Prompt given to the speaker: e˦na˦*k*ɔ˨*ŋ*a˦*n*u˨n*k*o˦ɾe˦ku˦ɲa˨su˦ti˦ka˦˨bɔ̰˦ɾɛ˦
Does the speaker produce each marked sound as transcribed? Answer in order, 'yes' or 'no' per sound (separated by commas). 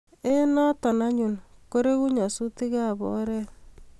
no, no, no, yes